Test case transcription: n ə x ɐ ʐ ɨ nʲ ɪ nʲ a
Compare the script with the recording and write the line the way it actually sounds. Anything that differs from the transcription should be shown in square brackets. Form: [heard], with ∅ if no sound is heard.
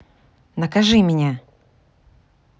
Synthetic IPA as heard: n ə [k] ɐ ʐ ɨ [mʲ] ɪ nʲ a

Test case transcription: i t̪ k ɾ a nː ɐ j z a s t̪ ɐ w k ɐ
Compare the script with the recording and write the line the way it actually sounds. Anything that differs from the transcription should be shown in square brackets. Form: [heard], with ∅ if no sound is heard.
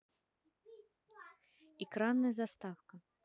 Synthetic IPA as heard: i [∅] k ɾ a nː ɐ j z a s t̪ [a] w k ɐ

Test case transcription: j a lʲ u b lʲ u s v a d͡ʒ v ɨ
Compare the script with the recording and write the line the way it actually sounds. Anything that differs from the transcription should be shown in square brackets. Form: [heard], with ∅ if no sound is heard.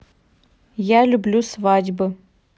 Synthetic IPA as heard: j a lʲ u b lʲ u s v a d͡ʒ [b] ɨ

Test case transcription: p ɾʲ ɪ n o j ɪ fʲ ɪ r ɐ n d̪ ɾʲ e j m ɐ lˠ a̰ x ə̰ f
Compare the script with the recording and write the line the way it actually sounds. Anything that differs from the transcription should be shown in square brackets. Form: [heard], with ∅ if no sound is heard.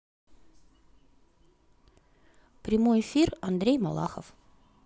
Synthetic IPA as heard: p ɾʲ ɪ [m] o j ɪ fʲ [i] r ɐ n d̪ ɾʲ e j m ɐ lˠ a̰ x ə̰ f

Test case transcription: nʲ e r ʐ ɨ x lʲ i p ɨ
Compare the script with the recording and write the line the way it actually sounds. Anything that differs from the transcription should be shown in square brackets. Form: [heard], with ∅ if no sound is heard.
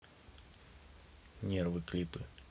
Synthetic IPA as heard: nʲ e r [v] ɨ [k] lʲ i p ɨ

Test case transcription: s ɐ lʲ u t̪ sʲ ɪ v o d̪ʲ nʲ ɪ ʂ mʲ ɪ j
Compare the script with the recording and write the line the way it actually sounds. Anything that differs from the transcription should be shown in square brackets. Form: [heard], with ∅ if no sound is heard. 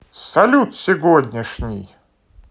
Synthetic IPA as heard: s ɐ lʲ u t̪ sʲ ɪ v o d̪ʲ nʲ ɪ ʂ [nʲ] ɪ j

